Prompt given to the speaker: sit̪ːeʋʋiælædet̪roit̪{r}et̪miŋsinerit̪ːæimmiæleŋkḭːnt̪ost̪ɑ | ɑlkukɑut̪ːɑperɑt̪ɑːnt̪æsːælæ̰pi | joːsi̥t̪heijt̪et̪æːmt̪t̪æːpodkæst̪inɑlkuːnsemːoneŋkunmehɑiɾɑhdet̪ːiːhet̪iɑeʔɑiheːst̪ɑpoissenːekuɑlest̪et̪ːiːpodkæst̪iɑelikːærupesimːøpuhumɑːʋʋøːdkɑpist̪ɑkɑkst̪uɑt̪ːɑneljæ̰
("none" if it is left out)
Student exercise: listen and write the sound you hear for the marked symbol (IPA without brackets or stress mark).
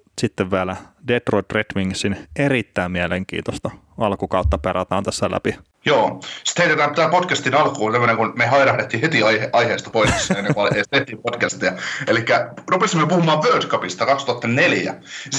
r